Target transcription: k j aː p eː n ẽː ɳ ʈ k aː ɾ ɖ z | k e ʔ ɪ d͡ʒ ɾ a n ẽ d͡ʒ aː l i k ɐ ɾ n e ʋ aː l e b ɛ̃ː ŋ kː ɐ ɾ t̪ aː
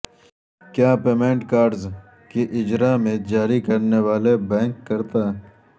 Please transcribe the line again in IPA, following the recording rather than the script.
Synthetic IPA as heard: k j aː p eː m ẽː ɳ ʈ k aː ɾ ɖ z | k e ʔ ɪ d͡ʒ ɾ a m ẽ d͡ʒ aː ɾ i k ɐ ɾ n e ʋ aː l e b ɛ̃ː ŋ kː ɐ ɾ t̪ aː